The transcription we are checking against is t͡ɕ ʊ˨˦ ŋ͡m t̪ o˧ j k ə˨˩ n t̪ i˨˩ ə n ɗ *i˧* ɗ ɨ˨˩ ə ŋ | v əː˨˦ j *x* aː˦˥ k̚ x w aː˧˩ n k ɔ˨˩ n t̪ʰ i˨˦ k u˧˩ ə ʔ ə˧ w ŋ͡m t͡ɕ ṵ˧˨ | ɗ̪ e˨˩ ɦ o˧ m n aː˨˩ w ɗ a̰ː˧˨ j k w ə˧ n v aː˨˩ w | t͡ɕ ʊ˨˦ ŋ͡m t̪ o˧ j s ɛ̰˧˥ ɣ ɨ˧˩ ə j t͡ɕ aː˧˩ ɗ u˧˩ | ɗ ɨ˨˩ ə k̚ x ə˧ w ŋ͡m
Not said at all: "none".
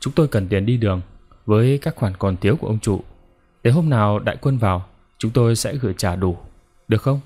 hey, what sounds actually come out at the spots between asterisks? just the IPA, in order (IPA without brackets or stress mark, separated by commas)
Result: i˧, k